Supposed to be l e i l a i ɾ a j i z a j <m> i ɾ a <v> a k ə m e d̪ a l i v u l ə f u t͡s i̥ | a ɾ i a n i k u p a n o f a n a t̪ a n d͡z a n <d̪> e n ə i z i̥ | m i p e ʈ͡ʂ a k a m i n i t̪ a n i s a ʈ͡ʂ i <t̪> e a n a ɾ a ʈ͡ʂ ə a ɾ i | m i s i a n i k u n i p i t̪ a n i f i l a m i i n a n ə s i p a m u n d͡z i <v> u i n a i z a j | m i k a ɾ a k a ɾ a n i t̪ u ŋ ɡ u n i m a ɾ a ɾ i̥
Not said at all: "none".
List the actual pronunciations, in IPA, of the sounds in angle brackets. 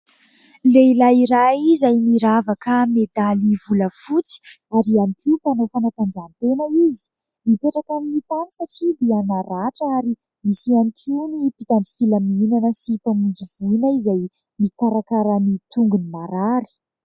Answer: m, v, t̪, d̪, v

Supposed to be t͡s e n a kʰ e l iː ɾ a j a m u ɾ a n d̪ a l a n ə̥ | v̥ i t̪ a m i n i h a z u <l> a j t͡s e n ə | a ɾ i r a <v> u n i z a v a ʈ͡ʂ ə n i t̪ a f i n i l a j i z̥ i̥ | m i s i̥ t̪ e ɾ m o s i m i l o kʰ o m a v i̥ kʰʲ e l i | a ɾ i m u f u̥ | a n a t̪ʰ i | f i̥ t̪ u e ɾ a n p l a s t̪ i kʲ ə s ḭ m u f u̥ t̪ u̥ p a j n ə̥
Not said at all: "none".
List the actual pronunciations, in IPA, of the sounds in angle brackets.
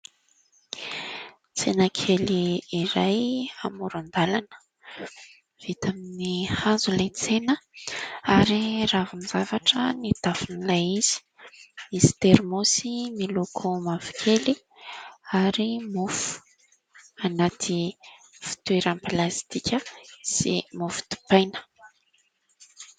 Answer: l, v

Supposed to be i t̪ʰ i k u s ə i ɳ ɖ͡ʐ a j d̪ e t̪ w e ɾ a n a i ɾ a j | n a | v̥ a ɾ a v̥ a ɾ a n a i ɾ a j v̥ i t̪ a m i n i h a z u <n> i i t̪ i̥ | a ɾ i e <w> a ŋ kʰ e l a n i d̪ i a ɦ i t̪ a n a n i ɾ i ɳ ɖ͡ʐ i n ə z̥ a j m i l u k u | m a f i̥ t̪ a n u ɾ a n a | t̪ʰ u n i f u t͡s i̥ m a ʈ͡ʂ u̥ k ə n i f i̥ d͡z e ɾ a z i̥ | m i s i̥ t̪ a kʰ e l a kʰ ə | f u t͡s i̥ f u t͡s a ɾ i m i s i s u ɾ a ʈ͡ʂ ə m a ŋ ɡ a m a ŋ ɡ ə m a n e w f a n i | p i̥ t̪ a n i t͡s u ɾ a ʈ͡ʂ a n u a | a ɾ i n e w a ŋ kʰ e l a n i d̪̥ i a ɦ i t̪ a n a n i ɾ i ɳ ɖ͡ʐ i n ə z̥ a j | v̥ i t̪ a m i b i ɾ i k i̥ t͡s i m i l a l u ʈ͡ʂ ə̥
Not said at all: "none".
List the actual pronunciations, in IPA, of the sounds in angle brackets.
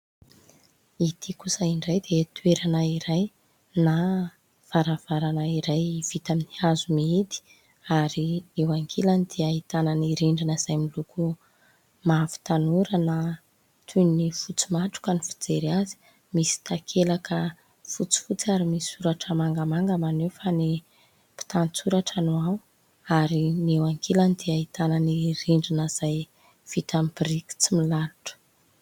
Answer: m, w

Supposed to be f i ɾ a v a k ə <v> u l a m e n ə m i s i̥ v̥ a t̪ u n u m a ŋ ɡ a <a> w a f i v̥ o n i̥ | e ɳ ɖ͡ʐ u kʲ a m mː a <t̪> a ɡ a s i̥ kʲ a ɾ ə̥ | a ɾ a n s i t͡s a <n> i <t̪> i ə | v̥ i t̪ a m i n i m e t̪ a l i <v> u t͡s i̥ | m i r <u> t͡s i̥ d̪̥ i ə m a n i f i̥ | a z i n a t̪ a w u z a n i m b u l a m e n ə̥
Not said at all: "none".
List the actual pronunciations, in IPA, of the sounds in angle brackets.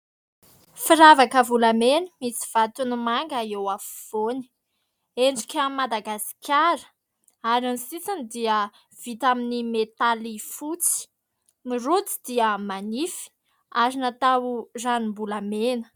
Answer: v, e, d̪, n, d̪, f, u

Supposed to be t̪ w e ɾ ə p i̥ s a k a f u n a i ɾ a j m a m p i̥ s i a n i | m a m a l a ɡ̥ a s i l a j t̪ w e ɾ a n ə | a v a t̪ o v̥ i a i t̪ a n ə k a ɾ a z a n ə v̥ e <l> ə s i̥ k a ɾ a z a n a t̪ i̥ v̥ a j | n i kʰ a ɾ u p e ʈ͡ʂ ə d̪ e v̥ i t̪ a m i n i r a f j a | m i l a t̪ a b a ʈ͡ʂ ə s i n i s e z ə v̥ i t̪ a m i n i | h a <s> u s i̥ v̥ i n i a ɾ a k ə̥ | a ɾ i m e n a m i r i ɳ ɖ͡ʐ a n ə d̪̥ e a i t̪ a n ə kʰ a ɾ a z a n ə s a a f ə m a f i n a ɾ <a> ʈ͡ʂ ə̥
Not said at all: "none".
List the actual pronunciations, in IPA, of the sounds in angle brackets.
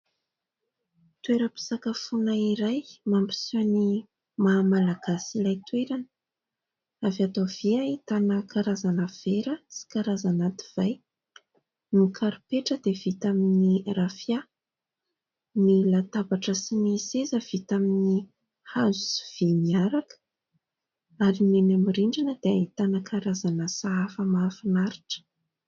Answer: ɾ, z, i

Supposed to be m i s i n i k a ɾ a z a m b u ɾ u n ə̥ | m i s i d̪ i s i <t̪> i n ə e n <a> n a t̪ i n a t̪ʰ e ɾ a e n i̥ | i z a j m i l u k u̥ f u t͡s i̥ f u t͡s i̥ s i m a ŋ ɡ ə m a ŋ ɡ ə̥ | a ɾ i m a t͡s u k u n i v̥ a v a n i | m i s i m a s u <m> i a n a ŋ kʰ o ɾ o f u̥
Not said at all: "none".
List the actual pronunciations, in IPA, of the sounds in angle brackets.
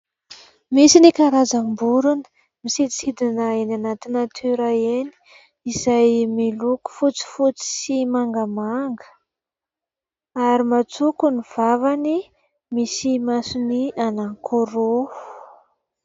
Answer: d̪, a, n

